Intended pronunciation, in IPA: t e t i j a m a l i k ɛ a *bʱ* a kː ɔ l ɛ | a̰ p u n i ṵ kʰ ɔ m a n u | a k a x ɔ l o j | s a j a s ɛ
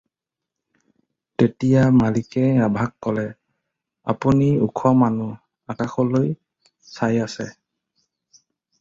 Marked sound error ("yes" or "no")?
no